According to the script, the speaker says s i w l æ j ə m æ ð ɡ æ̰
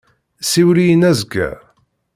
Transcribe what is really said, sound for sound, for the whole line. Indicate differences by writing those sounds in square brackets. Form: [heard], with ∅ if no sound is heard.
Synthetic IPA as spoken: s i w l [i] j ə [n] æ [z] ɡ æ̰